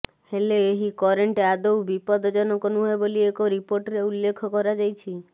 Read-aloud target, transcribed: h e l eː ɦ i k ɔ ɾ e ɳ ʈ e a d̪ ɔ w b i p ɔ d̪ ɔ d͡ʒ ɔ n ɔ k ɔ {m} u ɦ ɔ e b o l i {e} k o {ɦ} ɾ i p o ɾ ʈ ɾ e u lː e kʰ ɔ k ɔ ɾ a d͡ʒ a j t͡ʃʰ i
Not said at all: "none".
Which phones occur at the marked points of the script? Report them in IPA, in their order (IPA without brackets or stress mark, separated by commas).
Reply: n, e, none